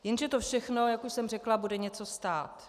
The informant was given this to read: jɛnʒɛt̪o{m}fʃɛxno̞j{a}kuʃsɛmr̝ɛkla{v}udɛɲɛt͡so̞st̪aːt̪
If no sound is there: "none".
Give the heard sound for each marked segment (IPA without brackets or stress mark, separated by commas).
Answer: none, a, b